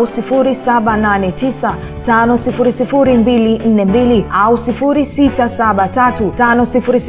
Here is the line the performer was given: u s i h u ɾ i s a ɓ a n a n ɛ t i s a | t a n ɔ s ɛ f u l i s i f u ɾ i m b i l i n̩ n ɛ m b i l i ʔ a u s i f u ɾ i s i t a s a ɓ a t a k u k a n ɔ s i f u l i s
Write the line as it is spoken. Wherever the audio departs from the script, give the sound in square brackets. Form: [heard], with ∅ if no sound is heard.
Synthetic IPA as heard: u s i [f] u ɾ i s a ɓ a n a n ɛ t i s a | t a n ɔ s [i] f u [ɾ] i s i f u ɾ i m b i l i n̩ n ɛ m b i l i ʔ a u s i f u ɾ i s i t a s a ɓ a t a [t] u [t] a n ɔ s i f u [ɾ] i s